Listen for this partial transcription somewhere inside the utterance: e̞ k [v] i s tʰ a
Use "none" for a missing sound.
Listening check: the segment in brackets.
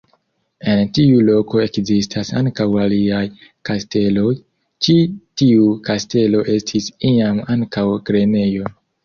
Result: z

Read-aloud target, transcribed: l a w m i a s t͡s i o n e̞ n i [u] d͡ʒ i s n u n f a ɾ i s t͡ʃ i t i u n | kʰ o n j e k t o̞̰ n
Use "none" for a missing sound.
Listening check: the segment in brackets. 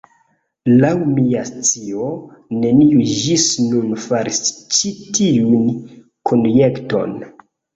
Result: u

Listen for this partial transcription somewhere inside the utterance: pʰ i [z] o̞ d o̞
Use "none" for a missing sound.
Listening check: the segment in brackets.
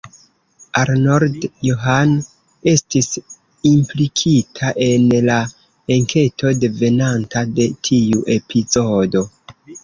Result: z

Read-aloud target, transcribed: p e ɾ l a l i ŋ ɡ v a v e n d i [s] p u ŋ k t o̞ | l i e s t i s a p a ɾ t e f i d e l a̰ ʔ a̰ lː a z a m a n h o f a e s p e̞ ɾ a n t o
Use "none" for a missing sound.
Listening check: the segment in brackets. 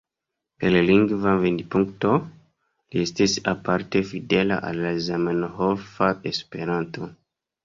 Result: none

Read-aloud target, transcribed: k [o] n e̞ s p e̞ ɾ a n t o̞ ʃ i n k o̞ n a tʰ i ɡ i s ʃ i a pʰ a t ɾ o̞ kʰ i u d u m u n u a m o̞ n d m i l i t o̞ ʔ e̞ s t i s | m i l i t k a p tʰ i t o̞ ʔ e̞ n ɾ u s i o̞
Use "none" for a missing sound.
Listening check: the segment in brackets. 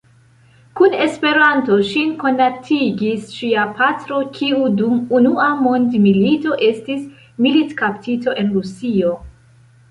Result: u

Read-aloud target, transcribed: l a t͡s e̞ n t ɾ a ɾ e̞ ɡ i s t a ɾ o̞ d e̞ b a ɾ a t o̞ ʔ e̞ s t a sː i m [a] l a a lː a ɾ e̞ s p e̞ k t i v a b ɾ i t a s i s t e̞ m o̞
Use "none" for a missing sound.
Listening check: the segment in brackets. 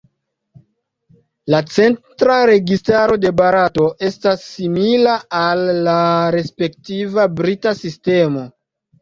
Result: i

